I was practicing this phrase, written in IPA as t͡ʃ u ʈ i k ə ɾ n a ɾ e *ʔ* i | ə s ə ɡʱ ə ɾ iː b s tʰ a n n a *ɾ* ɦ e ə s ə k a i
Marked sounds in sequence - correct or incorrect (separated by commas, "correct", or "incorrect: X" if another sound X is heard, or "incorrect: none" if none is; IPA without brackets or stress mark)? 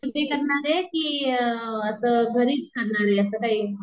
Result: incorrect: k, correct